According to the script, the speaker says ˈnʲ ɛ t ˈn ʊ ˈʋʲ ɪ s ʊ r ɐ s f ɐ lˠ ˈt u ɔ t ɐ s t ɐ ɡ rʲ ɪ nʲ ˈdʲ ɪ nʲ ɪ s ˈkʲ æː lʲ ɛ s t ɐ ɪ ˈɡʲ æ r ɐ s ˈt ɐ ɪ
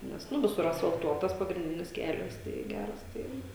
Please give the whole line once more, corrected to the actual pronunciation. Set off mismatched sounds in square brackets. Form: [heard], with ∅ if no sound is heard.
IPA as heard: ˈnʲ ɛ [s] ˈn ʊ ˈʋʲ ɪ s ʊ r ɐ s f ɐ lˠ ˈt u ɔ t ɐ s [p] ɐ ɡ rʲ ɪ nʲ ˈdʲ ɪ nʲ ɪ s ˈkʲ æː lʲ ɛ s t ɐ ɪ ˈɡʲ æ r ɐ s ˈt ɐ ɪ